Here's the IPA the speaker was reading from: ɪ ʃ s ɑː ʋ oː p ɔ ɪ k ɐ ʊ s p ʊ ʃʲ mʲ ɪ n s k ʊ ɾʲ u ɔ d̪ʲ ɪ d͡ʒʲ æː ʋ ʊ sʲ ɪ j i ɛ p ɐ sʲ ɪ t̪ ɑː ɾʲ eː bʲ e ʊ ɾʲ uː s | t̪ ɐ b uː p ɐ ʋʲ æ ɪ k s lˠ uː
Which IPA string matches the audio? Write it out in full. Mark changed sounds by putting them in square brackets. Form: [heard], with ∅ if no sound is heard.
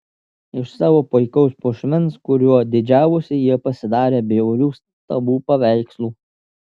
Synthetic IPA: ɪ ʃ s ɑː ʋ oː p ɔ ɪ k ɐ ʊ s p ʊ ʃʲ mʲ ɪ n s k ʊ ɾʲ u ɔ d̪ʲ ɪ d͡ʒʲ æː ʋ ʊ sʲ ɪ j i ɛ p ɐ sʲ ɪ [d̪] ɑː ɾʲ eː bʲ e ʊ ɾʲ uː s | t̪ ɐ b uː p ɐ ʋʲ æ ɪ k s lˠ uː